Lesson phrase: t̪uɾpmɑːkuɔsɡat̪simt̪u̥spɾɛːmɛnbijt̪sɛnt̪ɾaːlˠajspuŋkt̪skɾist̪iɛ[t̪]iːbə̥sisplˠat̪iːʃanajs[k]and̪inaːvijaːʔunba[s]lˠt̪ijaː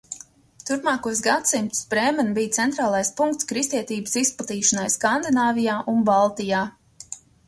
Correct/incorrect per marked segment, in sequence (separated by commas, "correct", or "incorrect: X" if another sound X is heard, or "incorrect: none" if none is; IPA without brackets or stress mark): correct, correct, incorrect: none